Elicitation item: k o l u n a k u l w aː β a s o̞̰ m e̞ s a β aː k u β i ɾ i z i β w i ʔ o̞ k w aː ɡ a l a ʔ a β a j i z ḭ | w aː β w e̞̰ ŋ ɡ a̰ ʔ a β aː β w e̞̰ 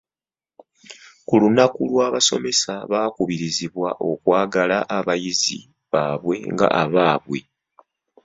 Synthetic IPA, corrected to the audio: k u l u n a k u l w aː β a s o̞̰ m e̞ s a β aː k u β i ɾ i z i β w a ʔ o̞ k w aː ɡ a l a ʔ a β a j i z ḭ | β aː β w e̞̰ ŋ ɡ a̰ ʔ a β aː β w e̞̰